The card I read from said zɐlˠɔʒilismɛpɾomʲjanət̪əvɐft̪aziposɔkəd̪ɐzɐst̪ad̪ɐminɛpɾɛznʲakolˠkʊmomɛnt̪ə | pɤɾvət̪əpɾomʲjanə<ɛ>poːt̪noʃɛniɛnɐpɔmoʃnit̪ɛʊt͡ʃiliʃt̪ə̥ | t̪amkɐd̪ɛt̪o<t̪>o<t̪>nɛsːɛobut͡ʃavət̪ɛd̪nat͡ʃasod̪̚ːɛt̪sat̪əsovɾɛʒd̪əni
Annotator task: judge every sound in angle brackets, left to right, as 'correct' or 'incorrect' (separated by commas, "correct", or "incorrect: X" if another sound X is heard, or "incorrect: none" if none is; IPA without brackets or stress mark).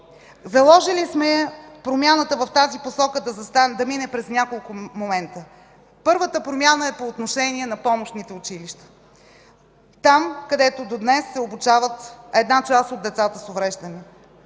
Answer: correct, incorrect: d̪, incorrect: d̪